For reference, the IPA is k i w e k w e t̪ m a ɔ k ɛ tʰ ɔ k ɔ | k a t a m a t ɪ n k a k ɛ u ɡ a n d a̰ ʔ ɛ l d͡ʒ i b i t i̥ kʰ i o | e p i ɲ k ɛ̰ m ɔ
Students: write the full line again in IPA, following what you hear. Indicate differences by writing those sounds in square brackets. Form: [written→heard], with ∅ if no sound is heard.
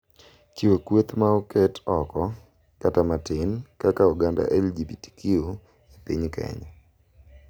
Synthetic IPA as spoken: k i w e k w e t̪ m a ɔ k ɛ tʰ ɔ k ɔ | k a t a m a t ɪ n k a k [ɛ→a] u ɡ a n d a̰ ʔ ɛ l d͡ʒ i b i t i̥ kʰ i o | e p i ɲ k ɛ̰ [m→ɲ] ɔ